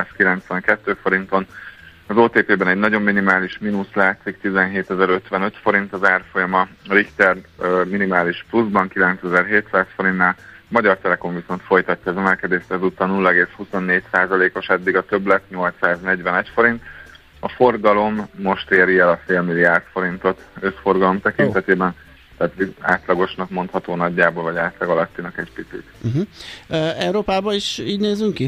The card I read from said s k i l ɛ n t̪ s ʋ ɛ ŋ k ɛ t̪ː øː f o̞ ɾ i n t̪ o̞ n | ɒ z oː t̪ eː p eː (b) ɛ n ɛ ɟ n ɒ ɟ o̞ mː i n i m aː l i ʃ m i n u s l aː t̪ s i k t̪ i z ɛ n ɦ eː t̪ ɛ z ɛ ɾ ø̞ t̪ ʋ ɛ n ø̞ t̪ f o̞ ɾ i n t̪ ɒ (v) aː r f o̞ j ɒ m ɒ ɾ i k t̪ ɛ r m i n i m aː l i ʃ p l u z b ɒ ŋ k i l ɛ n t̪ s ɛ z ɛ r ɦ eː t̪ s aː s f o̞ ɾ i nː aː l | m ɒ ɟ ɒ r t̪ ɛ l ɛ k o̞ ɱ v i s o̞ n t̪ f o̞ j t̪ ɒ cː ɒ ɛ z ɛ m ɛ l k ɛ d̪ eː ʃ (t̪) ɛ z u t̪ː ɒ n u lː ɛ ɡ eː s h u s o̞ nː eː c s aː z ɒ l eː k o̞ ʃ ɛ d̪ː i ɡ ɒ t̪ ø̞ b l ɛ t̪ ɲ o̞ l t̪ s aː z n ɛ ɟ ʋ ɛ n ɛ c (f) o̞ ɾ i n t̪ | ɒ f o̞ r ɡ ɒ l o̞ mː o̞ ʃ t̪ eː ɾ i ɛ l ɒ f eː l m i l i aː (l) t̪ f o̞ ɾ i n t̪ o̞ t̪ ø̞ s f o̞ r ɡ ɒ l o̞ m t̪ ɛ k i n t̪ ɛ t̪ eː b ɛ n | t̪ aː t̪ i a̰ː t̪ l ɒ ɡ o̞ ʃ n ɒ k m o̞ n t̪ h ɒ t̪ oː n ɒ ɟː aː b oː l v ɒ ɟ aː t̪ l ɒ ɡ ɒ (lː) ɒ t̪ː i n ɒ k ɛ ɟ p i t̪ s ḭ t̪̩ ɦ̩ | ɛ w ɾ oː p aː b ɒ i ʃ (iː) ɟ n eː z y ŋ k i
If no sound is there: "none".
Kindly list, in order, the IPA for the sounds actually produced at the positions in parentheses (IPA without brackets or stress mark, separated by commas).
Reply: b, z, t̪, f, r, l, iː